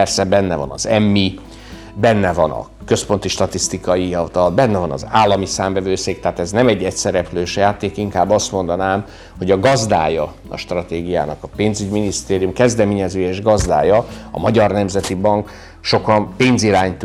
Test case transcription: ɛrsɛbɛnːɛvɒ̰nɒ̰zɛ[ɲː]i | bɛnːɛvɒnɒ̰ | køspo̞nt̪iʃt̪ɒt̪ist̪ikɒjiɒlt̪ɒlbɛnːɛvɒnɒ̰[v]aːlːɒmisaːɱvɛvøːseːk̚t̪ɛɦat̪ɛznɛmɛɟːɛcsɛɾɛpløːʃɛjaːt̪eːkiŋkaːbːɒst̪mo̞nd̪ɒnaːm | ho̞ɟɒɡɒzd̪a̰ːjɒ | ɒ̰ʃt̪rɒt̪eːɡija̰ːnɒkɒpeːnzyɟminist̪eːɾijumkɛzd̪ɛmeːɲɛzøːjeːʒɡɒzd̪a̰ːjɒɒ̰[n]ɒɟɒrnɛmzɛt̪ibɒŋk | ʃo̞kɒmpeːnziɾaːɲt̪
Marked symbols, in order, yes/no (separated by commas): no, no, no